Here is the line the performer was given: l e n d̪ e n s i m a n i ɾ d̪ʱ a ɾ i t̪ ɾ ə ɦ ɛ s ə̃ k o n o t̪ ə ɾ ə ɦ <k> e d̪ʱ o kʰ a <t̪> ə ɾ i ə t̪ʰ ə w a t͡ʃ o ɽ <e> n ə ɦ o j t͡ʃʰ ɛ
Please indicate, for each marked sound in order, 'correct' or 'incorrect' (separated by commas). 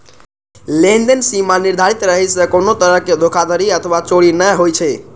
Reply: correct, incorrect, incorrect